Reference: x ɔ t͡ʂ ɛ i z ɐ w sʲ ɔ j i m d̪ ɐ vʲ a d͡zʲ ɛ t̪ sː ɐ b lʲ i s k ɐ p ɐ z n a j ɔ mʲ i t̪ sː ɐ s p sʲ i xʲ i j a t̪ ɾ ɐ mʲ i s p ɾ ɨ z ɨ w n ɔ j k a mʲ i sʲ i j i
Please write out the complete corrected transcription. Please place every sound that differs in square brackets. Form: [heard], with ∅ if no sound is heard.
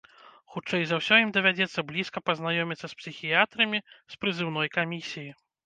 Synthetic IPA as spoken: x [u] t͡ʂ ɛ [j] z ɐ w sʲ ɔ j i m d̪ ɐ vʲ a d͡zʲ ɛ t̪ sː ɐ b lʲ i s k ɐ p ɐ z n a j ɔ mʲ i t̪ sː ɐ s p sʲ i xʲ i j a t̪ ɾ ɐ mʲ i s p ɾ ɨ z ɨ w n ɔ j k a mʲ i sʲ i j i